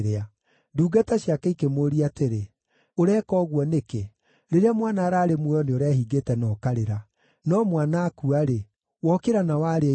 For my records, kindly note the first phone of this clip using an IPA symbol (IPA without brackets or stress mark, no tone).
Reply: ɾ